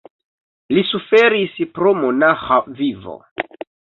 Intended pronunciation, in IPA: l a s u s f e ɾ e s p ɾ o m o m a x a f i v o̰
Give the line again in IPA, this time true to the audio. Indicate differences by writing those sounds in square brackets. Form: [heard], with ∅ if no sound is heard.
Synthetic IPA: l [i] s u [∅] f e ɾ [i] s p ɾ o m o [n] a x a [v] i v o̰